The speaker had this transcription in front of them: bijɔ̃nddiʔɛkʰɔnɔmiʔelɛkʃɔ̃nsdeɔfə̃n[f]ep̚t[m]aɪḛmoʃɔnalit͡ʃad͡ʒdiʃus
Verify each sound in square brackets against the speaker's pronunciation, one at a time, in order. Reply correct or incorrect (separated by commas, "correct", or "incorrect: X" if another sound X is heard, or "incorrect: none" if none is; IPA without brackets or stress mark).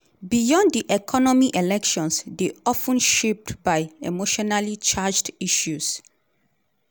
incorrect: ʃ, incorrect: b